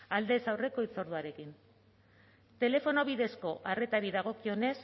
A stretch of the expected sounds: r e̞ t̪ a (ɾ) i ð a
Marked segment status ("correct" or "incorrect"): correct